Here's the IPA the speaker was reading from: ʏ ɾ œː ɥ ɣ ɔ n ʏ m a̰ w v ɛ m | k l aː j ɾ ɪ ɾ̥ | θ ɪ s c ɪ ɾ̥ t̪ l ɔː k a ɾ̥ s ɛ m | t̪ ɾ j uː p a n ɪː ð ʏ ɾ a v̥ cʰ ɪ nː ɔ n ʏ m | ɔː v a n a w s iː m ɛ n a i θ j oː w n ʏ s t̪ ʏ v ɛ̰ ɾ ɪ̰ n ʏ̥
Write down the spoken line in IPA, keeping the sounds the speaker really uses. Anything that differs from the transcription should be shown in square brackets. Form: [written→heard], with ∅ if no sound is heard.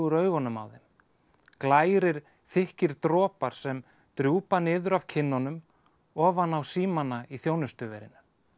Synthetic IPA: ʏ ɾ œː ɥ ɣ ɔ n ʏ m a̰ w [v→ð] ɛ m | k l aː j ɾ ɪ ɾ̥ | θ ɪ [s→h] c ɪ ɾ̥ t̪ [l→ɾ] ɔː [k→p] a ɾ̥ s ɛ m | t̪ ɾ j uː p a n ɪː ð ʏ ɾ a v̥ cʰ ɪ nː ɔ n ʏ m | ɔː v a n a w s iː m [ɛ→a] n a i θ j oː w n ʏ s t̪ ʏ v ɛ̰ ɾ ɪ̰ n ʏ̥